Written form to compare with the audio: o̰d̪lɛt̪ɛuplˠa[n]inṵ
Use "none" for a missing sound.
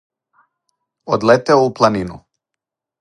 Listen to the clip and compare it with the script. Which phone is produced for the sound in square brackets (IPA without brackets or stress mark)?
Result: n